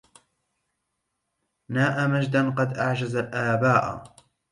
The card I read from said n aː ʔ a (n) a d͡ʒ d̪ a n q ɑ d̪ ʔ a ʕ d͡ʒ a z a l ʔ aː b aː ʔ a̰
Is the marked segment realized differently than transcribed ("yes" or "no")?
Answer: yes